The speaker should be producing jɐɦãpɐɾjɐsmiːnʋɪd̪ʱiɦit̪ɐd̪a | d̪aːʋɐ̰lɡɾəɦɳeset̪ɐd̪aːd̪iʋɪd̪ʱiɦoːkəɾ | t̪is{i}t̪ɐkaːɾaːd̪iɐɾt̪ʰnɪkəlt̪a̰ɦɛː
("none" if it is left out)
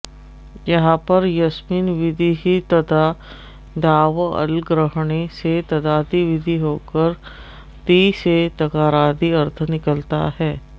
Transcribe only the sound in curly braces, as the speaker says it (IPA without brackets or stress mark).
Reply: e